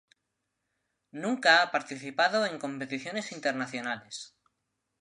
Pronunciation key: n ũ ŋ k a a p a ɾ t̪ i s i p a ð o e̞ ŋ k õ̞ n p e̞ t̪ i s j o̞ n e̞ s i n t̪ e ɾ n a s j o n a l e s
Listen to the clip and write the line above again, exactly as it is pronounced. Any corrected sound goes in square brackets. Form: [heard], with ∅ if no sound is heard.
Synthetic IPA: n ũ ŋ k a a p a ɾ t̪ i [θ] i p a ð o e̞ ŋ k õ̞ [m] p e̞ t̪ i [θ] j o̞ n e̞ s i n t̪ e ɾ n a [θ] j o n a l e s